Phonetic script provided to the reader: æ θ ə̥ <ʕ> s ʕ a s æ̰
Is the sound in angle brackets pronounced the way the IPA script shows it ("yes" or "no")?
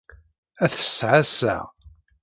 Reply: no